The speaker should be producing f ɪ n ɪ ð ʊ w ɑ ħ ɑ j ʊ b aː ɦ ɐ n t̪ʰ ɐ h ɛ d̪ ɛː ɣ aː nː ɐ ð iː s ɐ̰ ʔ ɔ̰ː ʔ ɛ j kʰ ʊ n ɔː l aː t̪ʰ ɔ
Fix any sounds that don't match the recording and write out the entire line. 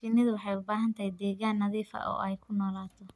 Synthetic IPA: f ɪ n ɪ ð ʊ w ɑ ħ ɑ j ʊ b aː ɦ ɐ n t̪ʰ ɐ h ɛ d̪ ɛː ɣ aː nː ɐ ð iː f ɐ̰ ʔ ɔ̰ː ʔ ɛ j kʰ ʊ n ɔː l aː t̪ʰ ɔ